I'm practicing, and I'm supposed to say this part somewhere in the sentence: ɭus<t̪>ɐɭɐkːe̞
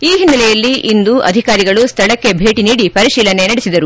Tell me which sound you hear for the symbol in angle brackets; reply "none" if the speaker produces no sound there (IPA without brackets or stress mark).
t̪ʰ